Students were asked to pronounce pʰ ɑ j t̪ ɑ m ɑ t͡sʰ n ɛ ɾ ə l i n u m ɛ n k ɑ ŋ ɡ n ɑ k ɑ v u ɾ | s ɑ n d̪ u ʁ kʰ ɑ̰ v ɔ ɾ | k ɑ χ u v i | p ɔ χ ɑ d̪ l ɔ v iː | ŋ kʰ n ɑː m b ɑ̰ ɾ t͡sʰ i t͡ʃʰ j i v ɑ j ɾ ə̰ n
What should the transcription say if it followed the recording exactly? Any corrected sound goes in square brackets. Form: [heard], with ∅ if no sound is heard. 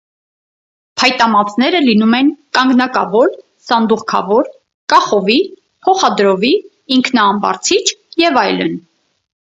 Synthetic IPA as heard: pʰ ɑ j t̪ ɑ m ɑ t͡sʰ n ɛ ɾ ə l i n u m ɛ n k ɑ ŋ ɡ n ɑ k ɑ v [ɔ] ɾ | s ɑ n d̪ u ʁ kʰ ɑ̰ v ɔ ɾ | k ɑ χ [ɔ] v i | [pʰ] ɔ χ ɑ d̪ [ɾ] ɔ v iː | ŋ kʰ n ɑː m b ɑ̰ ɾ t͡sʰ i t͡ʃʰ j [ɛ] v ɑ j [l] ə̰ n